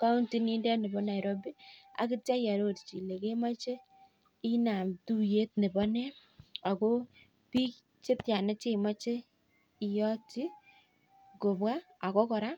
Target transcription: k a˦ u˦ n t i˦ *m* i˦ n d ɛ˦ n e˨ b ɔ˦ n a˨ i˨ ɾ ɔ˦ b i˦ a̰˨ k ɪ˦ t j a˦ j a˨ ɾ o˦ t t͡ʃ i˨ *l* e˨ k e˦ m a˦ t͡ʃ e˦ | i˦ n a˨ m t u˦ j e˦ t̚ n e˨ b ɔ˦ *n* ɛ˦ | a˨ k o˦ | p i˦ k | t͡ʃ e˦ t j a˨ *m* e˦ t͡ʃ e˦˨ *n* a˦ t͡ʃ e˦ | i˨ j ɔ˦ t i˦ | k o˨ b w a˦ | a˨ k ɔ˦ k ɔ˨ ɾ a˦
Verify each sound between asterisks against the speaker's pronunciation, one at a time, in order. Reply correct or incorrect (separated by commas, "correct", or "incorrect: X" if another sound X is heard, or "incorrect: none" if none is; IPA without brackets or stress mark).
incorrect: n, correct, correct, incorrect: n, incorrect: m